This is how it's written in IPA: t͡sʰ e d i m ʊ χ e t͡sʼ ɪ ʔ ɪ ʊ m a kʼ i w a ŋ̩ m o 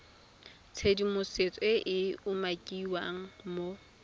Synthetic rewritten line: t͡sʰ e d i m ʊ s e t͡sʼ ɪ ʔ ɪ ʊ m a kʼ i w a ŋ̩ m o